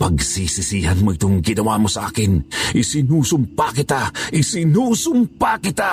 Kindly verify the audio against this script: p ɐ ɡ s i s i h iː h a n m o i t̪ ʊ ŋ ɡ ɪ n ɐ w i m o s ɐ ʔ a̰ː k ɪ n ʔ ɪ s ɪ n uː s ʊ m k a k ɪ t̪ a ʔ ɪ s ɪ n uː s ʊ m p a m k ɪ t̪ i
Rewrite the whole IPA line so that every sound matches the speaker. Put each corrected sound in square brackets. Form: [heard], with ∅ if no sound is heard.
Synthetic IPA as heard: p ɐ ɡ s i s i [s] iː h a n m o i t̪ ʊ ŋ ɡ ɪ n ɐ w [a] m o s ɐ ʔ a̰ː k ɪ n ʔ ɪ s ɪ n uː s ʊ m [p] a k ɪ t̪ a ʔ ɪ s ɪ n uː s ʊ m p a [∅] k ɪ t̪ [a]